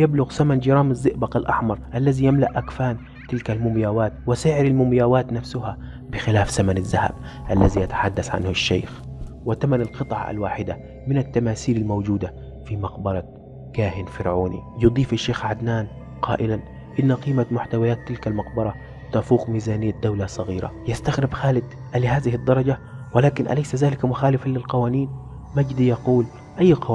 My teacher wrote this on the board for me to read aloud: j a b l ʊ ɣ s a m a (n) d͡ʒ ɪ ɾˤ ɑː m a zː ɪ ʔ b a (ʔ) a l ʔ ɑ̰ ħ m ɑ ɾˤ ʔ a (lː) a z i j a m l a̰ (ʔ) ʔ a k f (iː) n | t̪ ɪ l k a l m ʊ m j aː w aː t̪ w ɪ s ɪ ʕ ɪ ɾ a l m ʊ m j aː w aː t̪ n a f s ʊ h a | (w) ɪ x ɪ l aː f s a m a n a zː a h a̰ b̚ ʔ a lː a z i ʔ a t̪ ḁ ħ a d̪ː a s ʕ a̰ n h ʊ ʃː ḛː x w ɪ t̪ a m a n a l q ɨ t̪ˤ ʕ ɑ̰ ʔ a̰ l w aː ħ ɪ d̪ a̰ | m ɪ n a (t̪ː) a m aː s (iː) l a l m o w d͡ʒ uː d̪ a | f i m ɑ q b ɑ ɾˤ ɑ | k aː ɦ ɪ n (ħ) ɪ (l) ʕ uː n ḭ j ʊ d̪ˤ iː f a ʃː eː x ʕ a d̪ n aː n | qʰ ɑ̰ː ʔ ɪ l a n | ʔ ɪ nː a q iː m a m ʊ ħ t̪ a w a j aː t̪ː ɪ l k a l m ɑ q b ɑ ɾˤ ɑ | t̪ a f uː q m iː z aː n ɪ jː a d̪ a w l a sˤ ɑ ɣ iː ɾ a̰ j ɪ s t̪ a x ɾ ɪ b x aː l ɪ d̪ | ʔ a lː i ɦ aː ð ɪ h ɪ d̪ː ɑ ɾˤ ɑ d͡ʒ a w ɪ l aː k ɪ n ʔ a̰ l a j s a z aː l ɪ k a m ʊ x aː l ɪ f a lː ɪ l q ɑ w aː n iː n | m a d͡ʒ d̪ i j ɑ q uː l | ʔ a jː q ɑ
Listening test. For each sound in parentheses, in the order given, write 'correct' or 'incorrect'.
correct, incorrect: q, correct, correct, incorrect: aː, incorrect: b, correct, correct, incorrect: f, incorrect: ɾ

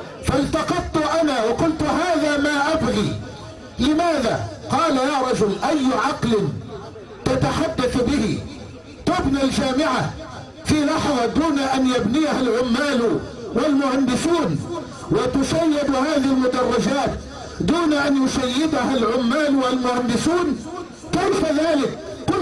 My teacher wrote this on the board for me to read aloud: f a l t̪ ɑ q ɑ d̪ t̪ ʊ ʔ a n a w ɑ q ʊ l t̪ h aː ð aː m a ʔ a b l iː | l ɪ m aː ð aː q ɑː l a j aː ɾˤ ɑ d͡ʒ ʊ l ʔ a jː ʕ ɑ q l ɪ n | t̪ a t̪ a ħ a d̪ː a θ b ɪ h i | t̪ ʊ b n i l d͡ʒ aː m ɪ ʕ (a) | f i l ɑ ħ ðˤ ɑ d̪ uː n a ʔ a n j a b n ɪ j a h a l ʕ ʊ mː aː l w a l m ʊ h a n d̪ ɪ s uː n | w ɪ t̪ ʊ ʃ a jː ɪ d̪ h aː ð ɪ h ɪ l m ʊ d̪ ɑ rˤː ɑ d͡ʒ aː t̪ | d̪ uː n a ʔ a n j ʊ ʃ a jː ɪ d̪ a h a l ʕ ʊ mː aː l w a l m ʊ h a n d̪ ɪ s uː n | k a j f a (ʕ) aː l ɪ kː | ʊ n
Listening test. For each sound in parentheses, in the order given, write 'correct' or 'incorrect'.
correct, incorrect: ð

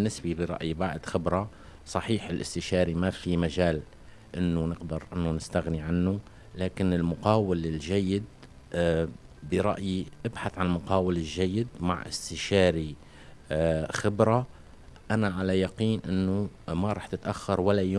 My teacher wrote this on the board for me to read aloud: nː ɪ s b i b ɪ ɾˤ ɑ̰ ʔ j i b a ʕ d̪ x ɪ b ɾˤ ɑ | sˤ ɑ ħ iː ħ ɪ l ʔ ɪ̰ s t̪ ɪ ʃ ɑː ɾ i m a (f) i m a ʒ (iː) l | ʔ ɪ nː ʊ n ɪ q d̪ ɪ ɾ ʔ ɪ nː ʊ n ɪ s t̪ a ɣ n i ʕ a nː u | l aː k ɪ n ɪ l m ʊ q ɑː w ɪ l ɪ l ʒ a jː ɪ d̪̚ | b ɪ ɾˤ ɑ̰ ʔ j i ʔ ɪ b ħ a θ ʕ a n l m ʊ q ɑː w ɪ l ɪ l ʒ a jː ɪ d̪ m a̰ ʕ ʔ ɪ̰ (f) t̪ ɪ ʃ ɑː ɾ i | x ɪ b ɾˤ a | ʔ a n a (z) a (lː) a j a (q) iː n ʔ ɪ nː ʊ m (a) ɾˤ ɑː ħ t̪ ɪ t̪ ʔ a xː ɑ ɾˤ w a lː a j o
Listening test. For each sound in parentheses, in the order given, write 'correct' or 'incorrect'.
correct, incorrect: aː, incorrect: s, incorrect: ʕ, incorrect: l, correct, correct

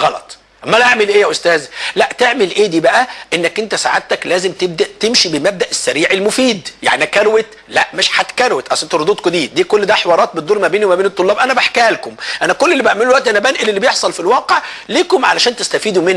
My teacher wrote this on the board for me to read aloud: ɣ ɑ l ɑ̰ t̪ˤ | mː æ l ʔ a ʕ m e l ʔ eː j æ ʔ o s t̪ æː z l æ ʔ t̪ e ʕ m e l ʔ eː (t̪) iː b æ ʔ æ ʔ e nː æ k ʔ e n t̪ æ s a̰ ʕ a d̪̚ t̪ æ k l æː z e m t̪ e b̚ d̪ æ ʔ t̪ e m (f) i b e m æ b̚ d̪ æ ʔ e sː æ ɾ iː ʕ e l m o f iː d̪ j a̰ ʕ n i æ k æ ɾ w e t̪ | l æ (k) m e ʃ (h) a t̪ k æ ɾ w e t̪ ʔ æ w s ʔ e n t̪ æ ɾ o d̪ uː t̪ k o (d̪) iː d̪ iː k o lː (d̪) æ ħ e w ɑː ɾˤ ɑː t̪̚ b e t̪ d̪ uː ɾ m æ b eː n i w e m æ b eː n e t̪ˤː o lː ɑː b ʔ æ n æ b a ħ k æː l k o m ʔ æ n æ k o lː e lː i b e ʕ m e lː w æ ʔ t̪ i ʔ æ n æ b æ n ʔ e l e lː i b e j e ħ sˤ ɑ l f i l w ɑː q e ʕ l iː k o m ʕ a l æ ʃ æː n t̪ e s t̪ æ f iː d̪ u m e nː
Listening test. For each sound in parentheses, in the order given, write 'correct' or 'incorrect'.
incorrect: d̪, incorrect: ʃ, incorrect: ʔ, incorrect: ħ, correct, correct

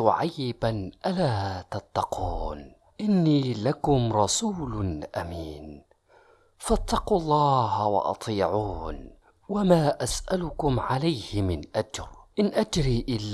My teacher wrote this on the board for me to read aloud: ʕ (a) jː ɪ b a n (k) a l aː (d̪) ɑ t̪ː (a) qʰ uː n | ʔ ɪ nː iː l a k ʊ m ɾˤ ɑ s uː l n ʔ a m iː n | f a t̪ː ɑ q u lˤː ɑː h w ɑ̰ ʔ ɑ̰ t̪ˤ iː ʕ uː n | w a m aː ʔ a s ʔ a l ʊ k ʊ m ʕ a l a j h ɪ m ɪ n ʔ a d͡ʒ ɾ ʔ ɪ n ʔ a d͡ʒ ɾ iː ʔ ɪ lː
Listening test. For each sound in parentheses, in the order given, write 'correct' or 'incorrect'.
correct, incorrect: ʔ, incorrect: t̪, incorrect: ɑ

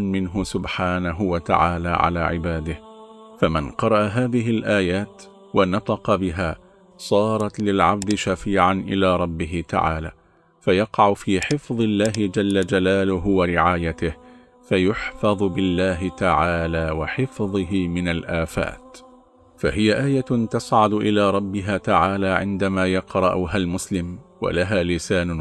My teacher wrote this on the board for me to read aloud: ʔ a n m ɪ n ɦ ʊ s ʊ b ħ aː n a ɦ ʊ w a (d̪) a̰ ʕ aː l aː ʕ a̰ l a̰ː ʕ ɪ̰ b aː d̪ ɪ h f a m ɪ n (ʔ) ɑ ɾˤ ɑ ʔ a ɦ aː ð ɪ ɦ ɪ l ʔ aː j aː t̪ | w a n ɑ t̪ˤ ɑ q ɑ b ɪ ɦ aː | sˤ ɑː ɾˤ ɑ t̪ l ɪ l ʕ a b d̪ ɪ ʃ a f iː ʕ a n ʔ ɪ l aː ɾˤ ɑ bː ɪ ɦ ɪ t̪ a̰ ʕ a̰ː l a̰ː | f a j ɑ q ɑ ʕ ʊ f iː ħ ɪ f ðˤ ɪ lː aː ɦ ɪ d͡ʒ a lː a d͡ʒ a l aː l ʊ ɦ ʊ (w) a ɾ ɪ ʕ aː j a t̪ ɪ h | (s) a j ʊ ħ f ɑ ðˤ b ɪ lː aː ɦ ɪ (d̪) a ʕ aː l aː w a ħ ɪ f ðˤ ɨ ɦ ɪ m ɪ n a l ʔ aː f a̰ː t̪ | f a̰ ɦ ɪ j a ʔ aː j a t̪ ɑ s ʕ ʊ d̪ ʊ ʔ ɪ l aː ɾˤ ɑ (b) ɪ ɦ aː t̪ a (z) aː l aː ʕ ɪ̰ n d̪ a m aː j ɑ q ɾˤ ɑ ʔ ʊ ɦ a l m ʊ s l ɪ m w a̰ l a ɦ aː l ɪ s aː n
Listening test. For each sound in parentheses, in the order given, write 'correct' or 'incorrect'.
incorrect: t̪, incorrect: q, correct, incorrect: f, incorrect: t̪, incorrect: bː, incorrect: ʕ

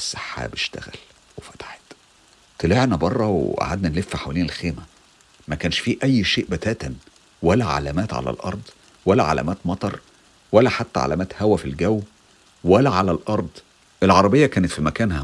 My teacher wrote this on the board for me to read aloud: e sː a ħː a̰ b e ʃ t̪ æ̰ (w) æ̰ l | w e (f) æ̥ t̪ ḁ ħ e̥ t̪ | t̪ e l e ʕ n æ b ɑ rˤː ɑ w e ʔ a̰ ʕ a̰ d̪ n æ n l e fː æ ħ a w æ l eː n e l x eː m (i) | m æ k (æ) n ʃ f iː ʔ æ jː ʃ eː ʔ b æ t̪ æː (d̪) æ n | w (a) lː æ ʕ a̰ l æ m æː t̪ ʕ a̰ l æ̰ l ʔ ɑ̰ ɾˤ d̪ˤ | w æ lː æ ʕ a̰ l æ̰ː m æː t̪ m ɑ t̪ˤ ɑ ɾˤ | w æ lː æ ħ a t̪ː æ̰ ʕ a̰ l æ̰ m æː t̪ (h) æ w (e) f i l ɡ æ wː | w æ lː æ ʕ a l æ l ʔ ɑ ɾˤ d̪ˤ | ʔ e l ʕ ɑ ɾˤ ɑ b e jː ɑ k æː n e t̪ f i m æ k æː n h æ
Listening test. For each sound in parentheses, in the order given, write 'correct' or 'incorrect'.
incorrect: ɣ, correct, incorrect: æ, incorrect: æː, incorrect: t̪, incorrect: æ, correct, incorrect: æ

